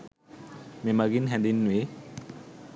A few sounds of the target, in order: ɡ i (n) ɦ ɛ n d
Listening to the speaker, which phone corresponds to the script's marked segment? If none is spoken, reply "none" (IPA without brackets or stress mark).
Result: n